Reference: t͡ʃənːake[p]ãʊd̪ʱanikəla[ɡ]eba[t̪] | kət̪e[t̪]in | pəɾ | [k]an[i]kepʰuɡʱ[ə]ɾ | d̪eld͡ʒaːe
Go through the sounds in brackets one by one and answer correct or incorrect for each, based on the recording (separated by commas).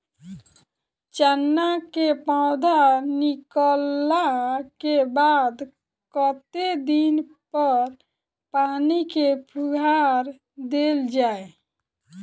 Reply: correct, incorrect, incorrect, incorrect, incorrect, correct, incorrect